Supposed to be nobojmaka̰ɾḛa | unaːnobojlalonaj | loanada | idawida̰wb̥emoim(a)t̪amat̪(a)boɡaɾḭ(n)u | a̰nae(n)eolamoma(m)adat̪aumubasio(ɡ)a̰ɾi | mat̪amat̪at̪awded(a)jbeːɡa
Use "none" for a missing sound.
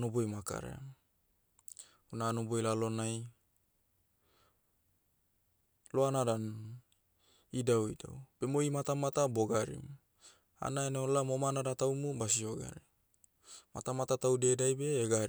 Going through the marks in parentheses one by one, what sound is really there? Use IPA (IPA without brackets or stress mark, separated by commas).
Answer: a, a, m, n, n, ɡ, a